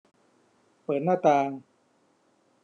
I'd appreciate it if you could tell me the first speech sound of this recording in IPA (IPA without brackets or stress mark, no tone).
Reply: p